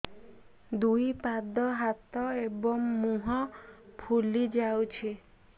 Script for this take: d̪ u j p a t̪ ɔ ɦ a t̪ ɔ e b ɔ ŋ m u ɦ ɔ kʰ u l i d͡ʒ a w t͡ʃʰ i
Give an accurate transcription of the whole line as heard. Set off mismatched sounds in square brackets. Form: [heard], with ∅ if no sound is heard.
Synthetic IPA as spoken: d̪ u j p a [d̪] ɔ ɦ a t̪ ɔ e b ɔ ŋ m u ɦ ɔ [pʰ] u l i d͡ʒ a w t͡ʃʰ i